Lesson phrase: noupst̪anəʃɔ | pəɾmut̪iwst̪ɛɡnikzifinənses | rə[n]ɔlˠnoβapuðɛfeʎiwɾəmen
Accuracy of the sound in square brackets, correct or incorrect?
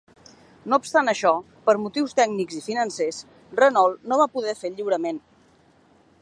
correct